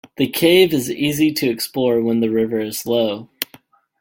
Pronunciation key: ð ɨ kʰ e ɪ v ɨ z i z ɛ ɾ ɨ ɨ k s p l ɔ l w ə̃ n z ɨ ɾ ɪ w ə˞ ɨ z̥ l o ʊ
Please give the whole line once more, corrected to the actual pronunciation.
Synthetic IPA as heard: ð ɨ kʰ e ɪ v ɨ z i z i ɾ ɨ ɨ k s p l ɔ ɹ w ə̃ n ð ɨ ɹ ɪ v ə˞ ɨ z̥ l o ʊ